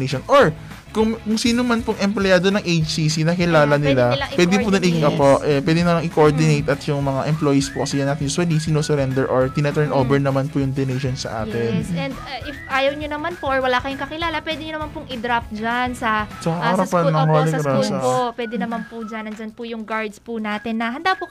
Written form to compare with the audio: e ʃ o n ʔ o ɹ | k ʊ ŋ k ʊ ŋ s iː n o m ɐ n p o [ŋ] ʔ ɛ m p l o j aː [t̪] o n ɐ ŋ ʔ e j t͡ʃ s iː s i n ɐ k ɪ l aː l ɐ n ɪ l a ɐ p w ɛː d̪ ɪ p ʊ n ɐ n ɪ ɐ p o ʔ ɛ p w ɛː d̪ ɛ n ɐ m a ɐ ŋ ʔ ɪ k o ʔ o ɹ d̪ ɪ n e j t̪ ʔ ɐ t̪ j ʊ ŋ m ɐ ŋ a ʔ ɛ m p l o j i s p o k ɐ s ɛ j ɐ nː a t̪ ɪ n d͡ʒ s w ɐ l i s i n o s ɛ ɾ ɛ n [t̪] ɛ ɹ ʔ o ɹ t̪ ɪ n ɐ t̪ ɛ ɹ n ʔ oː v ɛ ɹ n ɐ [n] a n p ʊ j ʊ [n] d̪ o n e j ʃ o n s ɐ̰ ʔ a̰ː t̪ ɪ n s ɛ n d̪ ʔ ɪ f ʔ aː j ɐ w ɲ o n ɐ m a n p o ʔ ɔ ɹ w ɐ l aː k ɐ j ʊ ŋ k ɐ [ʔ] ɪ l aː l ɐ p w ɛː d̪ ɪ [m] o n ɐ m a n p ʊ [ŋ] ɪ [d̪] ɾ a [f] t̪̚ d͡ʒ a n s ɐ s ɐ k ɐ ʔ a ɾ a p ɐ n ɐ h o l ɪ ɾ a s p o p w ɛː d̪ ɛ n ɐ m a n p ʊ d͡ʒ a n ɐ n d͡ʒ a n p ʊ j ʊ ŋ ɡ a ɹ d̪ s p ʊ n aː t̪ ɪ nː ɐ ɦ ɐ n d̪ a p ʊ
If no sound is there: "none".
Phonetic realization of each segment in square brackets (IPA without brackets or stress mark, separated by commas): ŋ, d̪, d̪, m, ŋ, k, ɲ, ŋ, d̪, f